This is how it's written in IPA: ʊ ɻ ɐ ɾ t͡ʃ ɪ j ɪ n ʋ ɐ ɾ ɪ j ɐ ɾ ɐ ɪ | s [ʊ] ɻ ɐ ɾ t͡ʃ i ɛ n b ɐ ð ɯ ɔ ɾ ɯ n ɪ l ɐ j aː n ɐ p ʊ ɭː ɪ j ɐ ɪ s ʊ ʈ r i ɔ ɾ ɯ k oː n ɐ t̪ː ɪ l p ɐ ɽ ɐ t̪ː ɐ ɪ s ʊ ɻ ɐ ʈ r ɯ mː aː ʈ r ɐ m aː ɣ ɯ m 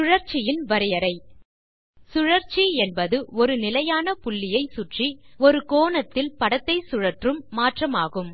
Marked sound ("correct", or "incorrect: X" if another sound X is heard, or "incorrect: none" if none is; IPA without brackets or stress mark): correct